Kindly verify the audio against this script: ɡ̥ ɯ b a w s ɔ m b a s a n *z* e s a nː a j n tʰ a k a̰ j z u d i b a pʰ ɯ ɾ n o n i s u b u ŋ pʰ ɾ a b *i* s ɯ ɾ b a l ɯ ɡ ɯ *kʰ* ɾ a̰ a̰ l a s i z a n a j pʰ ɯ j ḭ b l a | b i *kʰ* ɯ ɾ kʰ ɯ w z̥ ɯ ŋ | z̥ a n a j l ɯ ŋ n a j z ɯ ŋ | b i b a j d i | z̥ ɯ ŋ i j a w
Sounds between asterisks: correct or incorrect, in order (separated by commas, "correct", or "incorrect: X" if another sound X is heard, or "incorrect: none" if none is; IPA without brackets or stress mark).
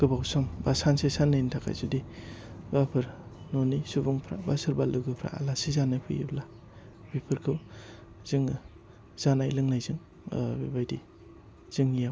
incorrect: s, incorrect: a, incorrect: pʰ, incorrect: pʰ